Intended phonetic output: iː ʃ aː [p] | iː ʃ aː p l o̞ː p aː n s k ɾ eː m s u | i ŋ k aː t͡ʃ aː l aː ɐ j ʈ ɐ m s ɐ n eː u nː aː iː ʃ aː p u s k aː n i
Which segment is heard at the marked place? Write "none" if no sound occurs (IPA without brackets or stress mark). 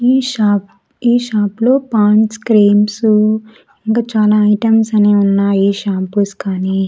p